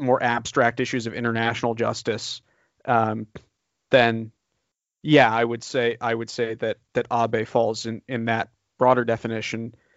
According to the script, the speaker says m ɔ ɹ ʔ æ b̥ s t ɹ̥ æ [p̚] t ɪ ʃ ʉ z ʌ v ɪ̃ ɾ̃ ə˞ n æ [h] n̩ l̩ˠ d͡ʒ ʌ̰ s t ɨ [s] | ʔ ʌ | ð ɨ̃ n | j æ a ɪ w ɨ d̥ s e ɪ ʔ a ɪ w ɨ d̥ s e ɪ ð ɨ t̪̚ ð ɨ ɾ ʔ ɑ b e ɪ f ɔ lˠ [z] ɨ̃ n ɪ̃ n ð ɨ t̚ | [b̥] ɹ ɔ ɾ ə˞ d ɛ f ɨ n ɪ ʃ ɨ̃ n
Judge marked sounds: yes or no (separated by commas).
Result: no, no, yes, yes, yes